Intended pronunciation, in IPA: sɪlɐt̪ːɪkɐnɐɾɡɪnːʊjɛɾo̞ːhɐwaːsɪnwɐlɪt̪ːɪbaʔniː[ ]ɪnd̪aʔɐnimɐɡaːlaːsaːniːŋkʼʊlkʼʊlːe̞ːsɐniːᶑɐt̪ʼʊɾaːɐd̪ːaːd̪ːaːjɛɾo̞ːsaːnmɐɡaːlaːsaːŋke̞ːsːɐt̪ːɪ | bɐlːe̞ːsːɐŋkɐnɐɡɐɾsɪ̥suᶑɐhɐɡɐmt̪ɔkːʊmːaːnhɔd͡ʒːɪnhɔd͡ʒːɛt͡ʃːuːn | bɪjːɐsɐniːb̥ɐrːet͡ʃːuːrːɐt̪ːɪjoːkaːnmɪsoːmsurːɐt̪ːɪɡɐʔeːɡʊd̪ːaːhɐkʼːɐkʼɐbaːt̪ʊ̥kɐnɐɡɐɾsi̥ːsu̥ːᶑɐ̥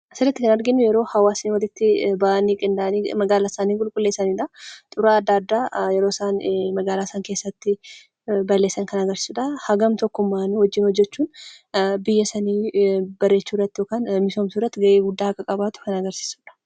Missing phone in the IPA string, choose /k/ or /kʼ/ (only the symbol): kʼ